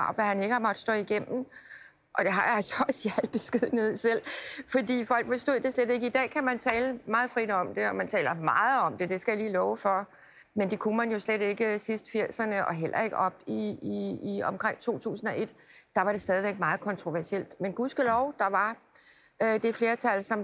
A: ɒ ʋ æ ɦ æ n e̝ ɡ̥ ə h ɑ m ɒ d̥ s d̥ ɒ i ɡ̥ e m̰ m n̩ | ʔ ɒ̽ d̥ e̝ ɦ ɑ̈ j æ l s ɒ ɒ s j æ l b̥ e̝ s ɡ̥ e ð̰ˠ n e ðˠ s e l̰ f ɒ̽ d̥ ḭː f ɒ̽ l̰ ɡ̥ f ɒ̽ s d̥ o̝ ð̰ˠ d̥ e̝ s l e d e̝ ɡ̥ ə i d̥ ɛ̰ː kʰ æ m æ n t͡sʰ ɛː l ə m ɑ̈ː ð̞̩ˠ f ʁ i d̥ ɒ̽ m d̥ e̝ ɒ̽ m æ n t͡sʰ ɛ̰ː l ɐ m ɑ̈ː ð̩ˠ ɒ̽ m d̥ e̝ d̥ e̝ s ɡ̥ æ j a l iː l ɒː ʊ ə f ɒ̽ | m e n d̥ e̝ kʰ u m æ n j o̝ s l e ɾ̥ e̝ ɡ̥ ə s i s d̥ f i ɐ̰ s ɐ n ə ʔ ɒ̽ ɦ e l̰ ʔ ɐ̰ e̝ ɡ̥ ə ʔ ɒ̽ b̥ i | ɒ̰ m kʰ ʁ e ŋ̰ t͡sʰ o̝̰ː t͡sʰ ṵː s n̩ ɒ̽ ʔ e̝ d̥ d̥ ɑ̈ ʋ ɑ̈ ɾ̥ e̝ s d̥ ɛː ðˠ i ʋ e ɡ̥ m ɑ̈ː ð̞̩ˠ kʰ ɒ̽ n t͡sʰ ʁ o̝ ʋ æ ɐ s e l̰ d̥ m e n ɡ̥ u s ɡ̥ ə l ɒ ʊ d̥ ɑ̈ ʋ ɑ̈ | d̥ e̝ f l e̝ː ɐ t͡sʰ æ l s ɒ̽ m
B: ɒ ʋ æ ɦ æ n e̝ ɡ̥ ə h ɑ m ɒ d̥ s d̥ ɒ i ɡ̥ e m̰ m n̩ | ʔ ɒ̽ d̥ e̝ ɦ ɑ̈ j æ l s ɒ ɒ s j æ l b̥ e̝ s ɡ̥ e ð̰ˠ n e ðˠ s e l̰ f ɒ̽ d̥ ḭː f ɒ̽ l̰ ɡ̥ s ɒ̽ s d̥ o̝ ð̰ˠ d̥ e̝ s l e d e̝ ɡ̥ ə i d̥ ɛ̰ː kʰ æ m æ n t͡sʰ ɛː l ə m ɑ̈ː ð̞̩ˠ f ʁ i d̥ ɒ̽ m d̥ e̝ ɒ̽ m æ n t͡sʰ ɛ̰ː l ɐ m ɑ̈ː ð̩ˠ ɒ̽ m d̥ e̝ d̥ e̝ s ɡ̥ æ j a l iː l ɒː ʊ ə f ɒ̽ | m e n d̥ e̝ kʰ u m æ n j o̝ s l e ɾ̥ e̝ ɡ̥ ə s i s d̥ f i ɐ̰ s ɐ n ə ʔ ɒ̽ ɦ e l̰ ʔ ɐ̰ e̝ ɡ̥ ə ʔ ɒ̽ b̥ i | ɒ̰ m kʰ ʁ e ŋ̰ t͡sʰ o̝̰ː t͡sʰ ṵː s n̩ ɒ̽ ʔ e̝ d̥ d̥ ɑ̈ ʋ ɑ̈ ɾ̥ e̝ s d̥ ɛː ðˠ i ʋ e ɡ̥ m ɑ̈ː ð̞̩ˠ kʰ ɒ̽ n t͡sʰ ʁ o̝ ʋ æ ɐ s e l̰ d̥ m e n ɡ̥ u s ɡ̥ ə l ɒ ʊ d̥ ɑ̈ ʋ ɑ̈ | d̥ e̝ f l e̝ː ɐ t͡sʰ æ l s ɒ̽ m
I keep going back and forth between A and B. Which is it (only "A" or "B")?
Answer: A